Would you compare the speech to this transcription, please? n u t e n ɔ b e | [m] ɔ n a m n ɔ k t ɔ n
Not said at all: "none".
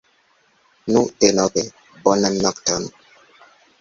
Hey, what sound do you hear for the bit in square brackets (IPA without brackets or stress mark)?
b